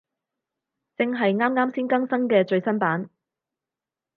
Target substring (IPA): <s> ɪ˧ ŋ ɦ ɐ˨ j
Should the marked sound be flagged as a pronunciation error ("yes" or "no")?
yes